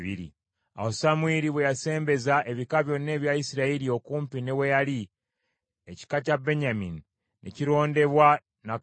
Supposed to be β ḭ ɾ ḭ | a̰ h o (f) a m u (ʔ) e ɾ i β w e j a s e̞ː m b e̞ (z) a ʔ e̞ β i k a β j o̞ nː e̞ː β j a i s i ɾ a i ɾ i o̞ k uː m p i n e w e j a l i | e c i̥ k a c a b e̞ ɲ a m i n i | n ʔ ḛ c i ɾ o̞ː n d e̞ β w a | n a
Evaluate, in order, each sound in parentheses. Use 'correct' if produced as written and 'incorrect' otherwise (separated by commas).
incorrect, incorrect, correct